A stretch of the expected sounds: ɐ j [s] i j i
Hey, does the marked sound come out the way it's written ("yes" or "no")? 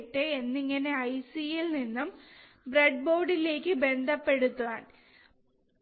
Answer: yes